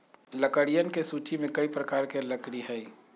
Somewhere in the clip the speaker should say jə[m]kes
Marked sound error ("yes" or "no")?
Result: yes